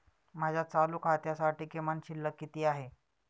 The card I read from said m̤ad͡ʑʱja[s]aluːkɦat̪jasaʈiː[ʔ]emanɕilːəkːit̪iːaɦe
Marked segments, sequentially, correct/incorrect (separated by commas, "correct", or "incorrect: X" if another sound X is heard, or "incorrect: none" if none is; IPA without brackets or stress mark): incorrect: t͡s, incorrect: k